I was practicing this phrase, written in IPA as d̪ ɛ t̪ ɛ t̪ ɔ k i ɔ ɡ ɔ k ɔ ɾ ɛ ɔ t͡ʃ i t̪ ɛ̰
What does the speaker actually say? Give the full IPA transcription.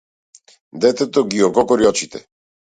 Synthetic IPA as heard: d̪ ɛ t̪ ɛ t̪ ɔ ɡ i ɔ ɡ ɔ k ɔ ɾ i ɔ t͡ʃ i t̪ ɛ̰